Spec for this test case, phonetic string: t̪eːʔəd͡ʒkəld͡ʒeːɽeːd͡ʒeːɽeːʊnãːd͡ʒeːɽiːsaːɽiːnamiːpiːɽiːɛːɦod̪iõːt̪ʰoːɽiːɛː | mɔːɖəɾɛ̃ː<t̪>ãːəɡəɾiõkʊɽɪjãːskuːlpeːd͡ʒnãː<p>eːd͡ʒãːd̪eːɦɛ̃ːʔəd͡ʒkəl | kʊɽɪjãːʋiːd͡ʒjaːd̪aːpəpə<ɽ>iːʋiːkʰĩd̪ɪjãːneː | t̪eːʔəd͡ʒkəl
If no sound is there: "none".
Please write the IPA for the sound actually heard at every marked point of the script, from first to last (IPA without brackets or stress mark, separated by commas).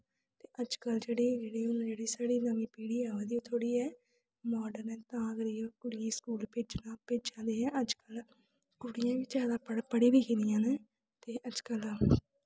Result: t̪, p, ɽ